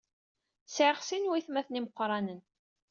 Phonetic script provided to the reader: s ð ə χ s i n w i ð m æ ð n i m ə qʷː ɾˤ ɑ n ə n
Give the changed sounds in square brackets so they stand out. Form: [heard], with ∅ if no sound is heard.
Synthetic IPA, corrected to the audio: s [ʕ] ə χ s i n w i [θ] m æ [θ] n i m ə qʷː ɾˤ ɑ n ə n